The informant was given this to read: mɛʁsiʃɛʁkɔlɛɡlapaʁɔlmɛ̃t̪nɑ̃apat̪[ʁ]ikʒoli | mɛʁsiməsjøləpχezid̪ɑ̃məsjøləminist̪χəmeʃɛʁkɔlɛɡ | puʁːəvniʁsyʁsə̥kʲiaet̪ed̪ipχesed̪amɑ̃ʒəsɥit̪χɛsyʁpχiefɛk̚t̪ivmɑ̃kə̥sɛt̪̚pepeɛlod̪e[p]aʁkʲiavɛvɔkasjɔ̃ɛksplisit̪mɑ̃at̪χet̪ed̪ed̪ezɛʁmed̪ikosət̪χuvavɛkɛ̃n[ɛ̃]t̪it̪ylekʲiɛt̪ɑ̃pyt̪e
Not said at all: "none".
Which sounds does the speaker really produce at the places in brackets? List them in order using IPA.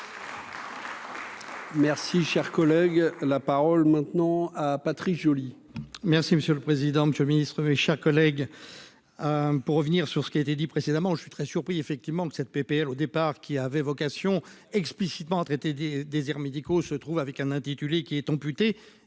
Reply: χ, p, ɛ̃

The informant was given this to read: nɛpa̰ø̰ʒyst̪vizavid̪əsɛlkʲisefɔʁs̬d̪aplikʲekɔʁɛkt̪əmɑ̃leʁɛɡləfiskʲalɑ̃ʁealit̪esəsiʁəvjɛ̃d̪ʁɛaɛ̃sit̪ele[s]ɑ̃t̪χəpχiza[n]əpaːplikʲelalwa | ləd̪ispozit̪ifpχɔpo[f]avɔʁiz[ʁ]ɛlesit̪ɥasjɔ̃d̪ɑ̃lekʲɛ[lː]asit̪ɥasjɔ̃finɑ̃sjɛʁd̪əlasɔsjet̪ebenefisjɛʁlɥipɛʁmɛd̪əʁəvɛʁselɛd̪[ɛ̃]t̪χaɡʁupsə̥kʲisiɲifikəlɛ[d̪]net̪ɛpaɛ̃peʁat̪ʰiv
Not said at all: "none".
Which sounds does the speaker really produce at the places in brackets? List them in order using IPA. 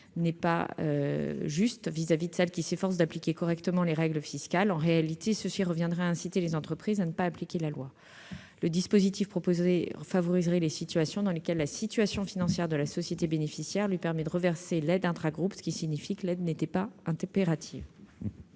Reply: z, n, f, ʁ, lː, ɛ̃, d̪

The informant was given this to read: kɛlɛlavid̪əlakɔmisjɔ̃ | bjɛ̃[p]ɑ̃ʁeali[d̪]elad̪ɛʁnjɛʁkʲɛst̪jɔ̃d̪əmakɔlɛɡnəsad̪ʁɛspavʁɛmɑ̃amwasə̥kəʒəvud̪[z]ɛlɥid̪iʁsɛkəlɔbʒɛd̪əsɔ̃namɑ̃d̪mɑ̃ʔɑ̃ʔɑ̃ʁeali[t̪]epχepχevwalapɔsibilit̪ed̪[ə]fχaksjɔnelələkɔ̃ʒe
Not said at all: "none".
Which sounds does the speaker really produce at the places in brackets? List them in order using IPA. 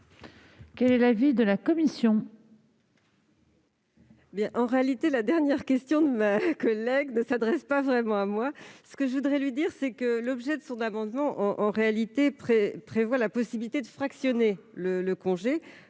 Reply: ʔ, t̪, ʁ, t̪, ə

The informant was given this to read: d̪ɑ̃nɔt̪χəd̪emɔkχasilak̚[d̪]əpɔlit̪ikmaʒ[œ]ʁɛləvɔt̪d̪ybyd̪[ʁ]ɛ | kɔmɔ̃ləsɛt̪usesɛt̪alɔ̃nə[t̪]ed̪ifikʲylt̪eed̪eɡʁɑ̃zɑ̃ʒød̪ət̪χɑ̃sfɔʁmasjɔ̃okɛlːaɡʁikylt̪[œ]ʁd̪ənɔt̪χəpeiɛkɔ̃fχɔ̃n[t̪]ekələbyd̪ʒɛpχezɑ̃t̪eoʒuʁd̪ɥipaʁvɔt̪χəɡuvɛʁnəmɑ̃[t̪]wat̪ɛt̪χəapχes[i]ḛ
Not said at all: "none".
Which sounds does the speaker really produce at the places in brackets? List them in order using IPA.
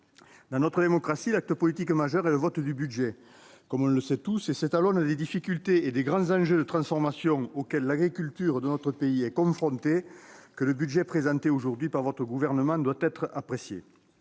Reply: t̪, œ, ʒ, d̪, y, t̪, d̪, j

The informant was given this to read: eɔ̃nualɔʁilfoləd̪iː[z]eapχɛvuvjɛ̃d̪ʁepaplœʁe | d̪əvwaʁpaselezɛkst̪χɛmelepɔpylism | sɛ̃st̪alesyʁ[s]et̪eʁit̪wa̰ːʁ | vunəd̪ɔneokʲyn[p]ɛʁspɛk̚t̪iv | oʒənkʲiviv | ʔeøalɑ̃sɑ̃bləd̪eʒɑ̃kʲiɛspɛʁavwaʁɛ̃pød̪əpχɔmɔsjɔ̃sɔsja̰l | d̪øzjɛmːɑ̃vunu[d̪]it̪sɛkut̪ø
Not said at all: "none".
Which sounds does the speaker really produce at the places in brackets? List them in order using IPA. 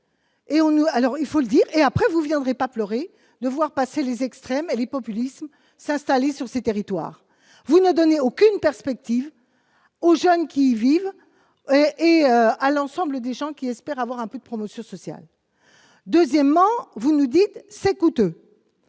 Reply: ʁ, s, p, d̪

